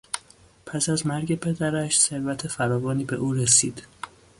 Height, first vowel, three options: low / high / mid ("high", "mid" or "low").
low